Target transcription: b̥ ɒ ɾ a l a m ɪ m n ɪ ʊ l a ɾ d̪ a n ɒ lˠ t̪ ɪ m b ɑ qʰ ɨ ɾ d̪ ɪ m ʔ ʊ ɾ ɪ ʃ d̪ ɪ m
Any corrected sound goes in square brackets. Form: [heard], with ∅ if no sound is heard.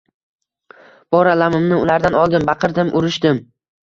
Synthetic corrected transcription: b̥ ɒ ɾ a l a m ɪ m n ɪ ʊ l a ɾ d̪ a n ɒ lˠ [d̪] ɪ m b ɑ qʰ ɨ ɾ d̪ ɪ m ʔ ʊ ɾ ɪ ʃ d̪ ɪ m